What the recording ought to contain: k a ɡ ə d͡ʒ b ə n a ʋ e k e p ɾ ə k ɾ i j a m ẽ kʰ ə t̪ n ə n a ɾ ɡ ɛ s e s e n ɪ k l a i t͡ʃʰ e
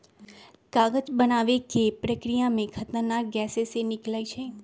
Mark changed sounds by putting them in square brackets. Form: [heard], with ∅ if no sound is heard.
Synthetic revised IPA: k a ɡ ə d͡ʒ b ə n a ʋ e k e p ɾ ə k ɾ i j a m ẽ kʰ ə t̪ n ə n a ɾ ɡ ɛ s e s e n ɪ k l a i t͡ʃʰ e